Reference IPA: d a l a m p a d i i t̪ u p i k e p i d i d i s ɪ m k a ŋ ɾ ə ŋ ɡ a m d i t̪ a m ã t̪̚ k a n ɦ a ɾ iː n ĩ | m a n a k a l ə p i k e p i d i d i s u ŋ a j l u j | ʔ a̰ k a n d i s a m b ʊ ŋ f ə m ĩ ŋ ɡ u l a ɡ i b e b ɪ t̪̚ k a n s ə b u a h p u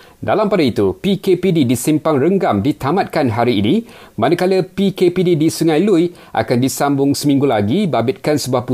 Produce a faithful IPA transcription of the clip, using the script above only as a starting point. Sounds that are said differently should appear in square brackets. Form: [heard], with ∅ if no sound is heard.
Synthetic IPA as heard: d a l a m p a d [a] i t̪ u p i k e p i d i d i s [i] m [p] a ŋ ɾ ə ŋ ɡ a m d i t̪ a m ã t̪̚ k a n ɦ a ɾ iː n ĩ | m a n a k a l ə p i k e p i d i d i s u ŋ a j l u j | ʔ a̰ k a n d i s a m b ʊ ŋ [s] ə m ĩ ŋ ɡ u l a ɡ i b [a] b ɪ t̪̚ k a n s ə b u a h p u